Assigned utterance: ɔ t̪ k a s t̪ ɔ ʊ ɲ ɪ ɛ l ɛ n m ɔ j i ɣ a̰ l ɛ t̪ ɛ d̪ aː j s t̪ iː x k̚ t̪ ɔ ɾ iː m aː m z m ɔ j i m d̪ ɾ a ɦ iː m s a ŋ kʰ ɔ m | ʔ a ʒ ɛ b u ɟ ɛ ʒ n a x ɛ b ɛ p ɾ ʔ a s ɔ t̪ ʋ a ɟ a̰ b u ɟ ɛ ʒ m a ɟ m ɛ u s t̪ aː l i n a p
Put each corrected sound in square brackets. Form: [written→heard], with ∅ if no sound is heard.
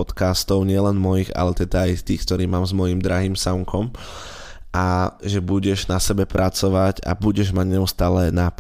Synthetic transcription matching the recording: ɔ t̪ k a s t̪ ɔ ʊ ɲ ɪ ɛ l ɛ n m ɔ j i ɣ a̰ l ɛ t̪ ɛ d̪ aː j s t̪ iː x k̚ t̪ ɔ ɾ iː m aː m z m ɔ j i m d̪ ɾ a ɦ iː m s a ŋ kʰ ɔ m | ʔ a ʒ ɛ b u ɟ ɛ ʒ n a [x→s] ɛ b ɛ p ɾ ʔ a [s→t͡s] ɔ [t̪→∅] ʋ a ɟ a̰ b u ɟ ɛ ʒ m a ɟ [m→ɲ] ɛ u s t̪ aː l [i→ɛ] n a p